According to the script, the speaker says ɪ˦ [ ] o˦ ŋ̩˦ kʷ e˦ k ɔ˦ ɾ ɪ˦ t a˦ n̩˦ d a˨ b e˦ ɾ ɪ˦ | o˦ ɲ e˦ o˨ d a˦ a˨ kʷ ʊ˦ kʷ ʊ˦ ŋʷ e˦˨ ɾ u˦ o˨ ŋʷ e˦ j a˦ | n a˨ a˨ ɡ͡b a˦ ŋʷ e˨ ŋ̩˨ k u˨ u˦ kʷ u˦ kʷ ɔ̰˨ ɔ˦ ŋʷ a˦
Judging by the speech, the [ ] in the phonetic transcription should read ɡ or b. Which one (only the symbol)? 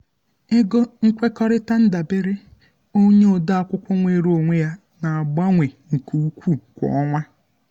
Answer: ɡ